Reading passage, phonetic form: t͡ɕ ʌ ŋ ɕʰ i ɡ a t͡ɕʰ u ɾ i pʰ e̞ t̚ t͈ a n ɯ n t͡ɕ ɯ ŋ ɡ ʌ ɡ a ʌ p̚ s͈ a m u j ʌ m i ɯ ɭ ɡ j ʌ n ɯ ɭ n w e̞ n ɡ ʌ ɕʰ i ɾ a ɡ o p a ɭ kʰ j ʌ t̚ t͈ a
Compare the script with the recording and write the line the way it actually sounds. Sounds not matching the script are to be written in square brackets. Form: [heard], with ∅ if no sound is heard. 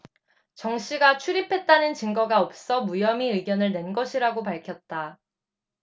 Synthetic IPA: t͡ɕ ʌ ŋ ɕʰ i ɡ a t͡ɕʰ u ɾ i pʰ e̞ t̚ t͈ a n ɯ n t͡ɕ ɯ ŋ ɡ ʌ ɡ a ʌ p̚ s͈ [ʌ] m u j ʌ m i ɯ ɭ ɡ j ʌ n ɯ ɭ n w e̞ n ɡ ʌ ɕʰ i ɾ a ɡ o p a ɭ kʰ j ʌ t̚ t͈ a